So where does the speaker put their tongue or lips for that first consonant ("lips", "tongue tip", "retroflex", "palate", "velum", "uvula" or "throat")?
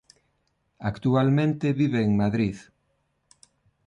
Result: velum